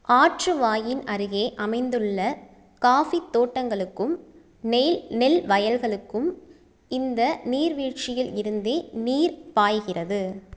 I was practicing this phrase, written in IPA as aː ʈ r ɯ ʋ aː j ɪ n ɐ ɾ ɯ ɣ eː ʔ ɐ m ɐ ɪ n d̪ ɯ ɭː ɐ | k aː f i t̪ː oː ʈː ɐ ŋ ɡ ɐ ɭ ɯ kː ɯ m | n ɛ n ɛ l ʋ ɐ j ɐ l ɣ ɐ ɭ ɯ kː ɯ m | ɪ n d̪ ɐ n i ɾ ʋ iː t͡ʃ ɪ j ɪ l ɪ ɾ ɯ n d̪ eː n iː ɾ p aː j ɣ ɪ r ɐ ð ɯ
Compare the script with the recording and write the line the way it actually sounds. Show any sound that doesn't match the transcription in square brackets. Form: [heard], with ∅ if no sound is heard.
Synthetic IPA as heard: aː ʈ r ɯ ʋ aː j ɪ n ɐ ɾ ɯ ɣ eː ʔ ɐ m ɐ ɪ n d̪ ɯ ɭː ɐ | k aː f i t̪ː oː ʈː ɐ ŋ ɡ ɐ ɭ ɯ kː ɯ m | n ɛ n ɛ l ʋ ɐ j ɐ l ɣ ɐ ɭ ɯ kː ɯ m | ɪ n d̪ ɐ n [iː] ɾ ʋ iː t͡ʃ ɪ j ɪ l ɪ ɾ ɯ n d̪ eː n iː ɾ p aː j ɣ ɪ r ɐ ð ɯ